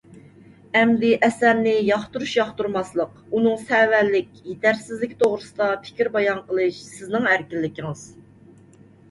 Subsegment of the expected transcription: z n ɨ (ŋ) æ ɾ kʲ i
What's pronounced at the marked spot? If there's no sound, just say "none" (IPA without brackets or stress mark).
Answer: ŋ